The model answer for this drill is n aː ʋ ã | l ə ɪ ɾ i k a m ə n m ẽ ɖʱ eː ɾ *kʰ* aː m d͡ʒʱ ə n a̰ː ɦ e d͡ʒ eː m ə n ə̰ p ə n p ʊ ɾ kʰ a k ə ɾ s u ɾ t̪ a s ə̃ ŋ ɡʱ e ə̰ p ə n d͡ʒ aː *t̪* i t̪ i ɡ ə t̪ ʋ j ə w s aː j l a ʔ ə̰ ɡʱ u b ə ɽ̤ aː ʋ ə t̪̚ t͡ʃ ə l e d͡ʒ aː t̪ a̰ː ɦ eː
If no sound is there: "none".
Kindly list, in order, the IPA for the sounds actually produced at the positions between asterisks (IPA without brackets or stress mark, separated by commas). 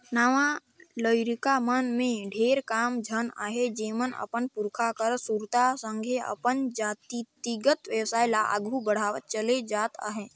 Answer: k, t̪